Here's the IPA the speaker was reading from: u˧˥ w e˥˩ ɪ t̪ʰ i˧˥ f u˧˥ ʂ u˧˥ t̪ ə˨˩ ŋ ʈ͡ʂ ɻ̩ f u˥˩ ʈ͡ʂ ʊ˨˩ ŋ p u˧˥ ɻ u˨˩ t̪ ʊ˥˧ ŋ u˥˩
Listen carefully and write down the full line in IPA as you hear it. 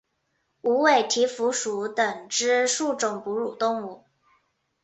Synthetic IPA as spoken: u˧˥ w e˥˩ ɪ t̪ʰ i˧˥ f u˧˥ ʂ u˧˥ t̪ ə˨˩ ŋ ʈ͡ʂ ɻ̩ ʂ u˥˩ ʈ͡ʂ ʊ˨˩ ŋ p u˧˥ ɻ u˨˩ t̪ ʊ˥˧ ŋ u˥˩

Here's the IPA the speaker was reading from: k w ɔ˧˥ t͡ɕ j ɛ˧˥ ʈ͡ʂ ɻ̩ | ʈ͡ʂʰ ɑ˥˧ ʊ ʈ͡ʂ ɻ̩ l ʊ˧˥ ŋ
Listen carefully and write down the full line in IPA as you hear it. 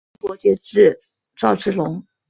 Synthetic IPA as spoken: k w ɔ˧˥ t͡ɕ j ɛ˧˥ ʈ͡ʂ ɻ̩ | ʈ͡ʂ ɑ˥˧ ʊ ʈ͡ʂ ɻ̩ l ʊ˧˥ ŋ

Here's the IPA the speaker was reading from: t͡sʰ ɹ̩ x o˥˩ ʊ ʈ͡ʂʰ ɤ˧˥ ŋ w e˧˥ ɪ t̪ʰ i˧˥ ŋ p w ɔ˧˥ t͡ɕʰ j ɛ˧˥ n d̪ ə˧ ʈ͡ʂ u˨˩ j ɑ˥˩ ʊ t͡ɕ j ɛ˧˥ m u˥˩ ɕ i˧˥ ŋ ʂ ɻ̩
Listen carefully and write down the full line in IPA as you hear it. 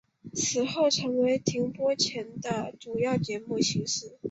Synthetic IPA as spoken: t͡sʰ ɹ̩ x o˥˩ ʊ ʈ͡ʂʰ ɤ˧˥ ŋ w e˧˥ ɪ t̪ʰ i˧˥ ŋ p w ɔ˥ t͡ɕʰ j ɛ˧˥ n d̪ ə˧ ʈ͡ʂ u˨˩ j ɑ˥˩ ʊ t͡ɕ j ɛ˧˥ m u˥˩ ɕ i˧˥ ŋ ʂ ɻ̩

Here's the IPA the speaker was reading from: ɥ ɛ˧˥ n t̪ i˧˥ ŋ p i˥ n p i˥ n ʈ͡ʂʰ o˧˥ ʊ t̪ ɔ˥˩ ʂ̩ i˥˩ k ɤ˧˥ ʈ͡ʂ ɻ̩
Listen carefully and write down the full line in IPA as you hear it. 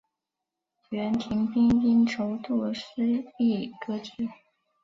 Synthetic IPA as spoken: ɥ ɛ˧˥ n t̪ʰ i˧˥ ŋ p i˥ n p i˥ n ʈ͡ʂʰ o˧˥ ʊ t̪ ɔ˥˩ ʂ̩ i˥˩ k ɤ˥ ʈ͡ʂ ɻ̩

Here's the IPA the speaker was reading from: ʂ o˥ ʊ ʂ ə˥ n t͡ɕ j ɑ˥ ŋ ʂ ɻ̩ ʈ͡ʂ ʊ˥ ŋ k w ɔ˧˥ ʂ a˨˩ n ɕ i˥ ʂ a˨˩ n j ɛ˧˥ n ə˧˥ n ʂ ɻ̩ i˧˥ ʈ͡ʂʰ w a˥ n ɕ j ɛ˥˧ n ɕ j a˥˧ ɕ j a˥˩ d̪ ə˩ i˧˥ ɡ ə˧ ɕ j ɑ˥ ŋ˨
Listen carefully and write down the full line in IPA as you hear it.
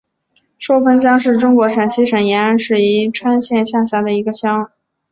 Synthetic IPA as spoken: ʂ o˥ ʊ f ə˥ n t͡ɕ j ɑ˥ ŋ ʂ ɻ̩ ʈ͡ʂ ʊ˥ ŋ k w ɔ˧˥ ʂ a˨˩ n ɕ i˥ ʂ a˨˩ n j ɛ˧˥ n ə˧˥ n ʂ ɻ̩ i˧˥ ʈ͡ʂʰ w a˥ n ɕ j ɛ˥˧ n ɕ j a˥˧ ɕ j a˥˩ d̪ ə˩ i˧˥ ɡ ə˧ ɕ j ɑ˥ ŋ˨

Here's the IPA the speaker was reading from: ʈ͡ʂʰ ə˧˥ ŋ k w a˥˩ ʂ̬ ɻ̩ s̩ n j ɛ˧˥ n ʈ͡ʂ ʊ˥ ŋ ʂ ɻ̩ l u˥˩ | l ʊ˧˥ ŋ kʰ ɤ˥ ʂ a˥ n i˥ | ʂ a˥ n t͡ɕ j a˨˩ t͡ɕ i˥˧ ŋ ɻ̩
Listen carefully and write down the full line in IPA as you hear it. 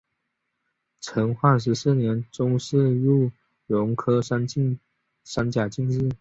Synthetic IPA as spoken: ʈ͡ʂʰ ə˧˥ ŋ x w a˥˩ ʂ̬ ɻ̩ s̩ n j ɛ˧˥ n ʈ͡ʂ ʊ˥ ŋ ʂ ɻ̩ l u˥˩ | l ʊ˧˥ ŋ kʰ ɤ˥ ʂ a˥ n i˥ | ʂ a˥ n t͡ɕ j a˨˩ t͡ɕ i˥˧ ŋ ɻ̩

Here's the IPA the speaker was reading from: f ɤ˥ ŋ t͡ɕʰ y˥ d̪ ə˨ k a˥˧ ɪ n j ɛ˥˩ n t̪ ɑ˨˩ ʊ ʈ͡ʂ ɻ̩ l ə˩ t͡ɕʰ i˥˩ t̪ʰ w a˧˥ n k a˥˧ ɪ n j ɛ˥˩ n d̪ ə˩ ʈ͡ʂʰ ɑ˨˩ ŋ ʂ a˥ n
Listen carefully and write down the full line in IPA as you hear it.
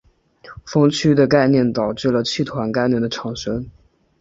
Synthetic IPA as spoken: f ɤ˥ ŋ t͡ɕʰ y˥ d̪ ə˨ k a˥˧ ɪ n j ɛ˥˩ n t̪ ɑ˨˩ ʊ ʈ͡ʂ ɻ̩ l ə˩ t͡ɕʰ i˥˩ t̪ʰ w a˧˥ n k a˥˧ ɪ n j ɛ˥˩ n d̪ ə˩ ʈ͡ʂʰ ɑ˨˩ ŋ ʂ ə˥ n

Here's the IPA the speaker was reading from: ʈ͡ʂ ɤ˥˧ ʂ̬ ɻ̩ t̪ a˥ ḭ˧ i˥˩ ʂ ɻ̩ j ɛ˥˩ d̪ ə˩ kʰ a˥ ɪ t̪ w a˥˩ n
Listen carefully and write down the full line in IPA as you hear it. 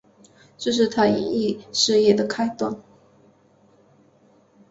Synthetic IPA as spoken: ʈ͡ʂ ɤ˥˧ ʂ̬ ɻ̩ t̪ʰ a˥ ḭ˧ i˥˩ ʂ ɻ̩ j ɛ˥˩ d̪ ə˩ kʰ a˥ ɪ t̪ w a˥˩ n

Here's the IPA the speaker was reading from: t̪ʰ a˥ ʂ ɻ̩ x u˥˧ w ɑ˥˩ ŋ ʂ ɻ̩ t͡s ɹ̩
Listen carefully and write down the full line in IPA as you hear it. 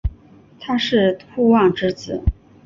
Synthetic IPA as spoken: t̪ʰ a˥ ʂ ɻ̩ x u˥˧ w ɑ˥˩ ŋ ʈ͡ʂ ɻ̩ t͡s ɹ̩

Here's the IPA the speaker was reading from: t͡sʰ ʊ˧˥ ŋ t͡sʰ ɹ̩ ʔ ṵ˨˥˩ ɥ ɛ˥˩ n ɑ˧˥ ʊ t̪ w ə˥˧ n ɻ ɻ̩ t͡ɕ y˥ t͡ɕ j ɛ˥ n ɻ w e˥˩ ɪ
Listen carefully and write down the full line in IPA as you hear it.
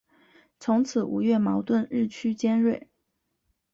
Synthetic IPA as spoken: t͡sʰ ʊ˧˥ ŋ t͡sʰ ɹ̩ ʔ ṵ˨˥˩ ɥ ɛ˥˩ m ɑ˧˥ ʊ t̪ w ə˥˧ n ɻ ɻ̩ t͡ɕʰ y˥ t͡ɕ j ɛ˥ n ɻ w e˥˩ ɪ

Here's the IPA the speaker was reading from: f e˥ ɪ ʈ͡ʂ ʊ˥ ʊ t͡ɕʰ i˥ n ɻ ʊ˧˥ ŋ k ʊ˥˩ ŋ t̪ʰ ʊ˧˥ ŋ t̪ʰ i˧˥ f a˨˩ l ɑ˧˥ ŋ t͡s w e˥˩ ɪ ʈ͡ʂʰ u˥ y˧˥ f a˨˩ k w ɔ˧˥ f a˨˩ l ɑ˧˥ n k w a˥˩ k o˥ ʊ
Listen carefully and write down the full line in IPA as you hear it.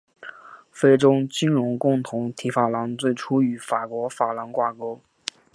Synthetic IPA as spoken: f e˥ ɪ ʈ͡ʂ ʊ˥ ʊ t͡ɕ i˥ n ɻ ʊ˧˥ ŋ k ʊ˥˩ ŋ t̪ʰ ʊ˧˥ ŋ t̪ʰ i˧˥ f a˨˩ l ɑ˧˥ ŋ t͡s w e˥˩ ɪ ʈ͡ʂʰ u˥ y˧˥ f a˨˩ k w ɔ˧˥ f a˨˩ l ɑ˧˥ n k w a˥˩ k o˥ ʊ

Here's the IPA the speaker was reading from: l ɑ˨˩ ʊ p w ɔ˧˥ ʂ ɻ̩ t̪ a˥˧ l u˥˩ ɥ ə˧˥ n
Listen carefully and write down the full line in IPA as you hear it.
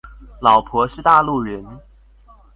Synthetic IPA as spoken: l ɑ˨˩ ʊ pʰ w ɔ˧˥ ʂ ɻ̩ t̪ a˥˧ l u˥˩ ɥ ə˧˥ n

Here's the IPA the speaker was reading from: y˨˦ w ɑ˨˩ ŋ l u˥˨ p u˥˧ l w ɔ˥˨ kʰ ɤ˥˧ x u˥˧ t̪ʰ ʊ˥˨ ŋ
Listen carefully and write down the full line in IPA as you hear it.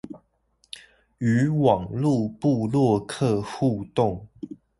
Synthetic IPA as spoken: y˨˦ w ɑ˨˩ ŋ l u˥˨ p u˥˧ l w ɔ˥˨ kʰ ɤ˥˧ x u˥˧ t̪ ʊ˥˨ ŋ

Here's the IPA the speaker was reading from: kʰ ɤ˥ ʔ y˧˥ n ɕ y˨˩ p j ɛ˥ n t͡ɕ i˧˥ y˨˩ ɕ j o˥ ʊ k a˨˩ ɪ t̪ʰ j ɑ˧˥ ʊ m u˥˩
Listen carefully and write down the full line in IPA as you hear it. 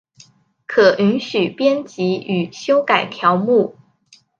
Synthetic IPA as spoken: kʰ ɤ˨˩ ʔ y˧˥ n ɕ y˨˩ p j ɛ˥ n t͡ɕ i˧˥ y˨˩ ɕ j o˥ ʊ k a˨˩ ɪ t̪ʰ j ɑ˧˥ ʊ m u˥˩

